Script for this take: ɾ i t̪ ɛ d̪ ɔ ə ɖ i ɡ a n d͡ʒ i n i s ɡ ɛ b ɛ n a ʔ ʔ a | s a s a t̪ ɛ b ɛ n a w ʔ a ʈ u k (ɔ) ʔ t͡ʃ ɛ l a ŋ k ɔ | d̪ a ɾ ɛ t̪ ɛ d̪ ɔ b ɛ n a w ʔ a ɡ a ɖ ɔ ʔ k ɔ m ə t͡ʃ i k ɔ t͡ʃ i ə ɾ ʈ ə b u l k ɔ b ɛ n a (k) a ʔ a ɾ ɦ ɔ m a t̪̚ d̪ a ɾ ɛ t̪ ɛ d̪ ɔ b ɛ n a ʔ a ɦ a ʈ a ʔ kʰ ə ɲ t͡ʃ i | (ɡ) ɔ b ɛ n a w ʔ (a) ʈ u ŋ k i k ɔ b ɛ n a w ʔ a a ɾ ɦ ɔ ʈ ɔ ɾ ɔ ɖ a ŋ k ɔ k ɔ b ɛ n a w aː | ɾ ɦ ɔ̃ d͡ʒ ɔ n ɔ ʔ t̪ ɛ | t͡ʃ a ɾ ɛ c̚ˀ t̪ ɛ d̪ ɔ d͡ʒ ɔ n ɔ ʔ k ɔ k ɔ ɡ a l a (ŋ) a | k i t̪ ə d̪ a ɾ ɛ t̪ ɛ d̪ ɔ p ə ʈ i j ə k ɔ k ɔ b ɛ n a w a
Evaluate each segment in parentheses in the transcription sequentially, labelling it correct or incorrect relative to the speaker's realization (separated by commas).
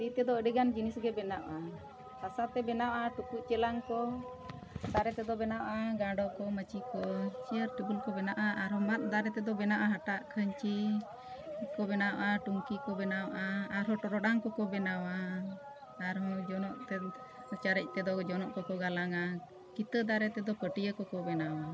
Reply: incorrect, incorrect, incorrect, correct, correct